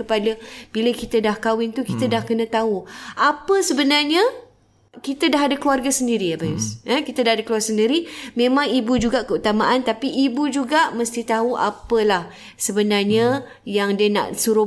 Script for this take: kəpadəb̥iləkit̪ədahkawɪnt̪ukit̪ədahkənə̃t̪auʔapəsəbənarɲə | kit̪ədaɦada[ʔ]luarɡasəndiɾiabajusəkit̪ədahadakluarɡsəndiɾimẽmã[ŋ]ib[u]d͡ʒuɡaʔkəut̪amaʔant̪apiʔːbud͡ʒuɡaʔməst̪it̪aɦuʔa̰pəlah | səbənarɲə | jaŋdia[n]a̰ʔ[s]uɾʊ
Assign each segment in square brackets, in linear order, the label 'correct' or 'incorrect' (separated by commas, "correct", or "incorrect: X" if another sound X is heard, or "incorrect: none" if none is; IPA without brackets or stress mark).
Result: incorrect: k, correct, correct, correct, correct